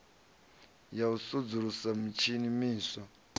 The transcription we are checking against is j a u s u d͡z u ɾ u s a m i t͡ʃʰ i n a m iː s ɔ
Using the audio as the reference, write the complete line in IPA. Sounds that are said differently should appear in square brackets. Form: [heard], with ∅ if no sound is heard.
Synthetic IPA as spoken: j a u s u d͡z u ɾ u s a m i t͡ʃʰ i n [i] m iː s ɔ